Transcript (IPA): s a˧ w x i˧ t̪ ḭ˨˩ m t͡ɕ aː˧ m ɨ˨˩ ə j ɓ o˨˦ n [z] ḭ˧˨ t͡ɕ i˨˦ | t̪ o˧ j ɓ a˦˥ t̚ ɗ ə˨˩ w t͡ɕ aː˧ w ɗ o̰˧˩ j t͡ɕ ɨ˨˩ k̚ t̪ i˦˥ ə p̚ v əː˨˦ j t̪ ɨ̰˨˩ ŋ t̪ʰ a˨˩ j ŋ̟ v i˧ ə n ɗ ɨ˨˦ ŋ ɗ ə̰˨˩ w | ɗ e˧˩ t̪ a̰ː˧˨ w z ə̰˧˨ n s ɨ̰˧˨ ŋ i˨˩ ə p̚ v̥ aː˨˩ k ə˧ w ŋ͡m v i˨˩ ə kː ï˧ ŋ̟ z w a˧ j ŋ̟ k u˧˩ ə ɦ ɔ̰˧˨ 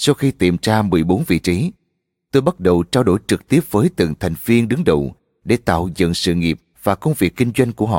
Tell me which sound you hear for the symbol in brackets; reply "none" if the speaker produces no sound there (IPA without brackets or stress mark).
v